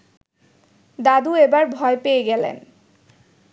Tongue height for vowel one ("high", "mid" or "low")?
low